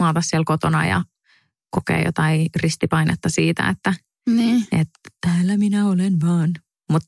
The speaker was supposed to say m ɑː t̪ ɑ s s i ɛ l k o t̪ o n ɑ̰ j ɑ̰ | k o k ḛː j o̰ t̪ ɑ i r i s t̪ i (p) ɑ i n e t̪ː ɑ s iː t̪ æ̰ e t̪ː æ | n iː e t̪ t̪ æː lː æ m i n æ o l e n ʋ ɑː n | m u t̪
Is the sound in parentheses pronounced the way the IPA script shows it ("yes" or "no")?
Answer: yes